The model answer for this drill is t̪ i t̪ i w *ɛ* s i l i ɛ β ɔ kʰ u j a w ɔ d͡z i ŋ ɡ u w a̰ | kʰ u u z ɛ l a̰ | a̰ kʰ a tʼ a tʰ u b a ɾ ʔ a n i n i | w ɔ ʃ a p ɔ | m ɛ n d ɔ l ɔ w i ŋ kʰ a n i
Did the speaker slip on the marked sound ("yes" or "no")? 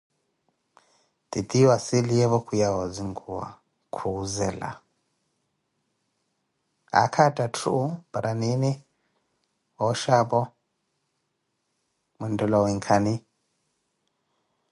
yes